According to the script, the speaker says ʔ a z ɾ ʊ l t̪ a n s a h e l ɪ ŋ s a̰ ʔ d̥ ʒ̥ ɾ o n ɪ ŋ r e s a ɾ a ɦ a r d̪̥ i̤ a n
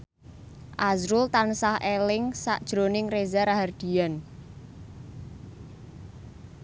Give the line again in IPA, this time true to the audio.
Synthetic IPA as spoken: ʔ a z ɾ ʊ l t̪ a n s a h e l ɪ ŋ s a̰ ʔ d̥ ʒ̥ ɾ o n ɪ ŋ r e z a ɾ a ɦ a r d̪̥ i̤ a n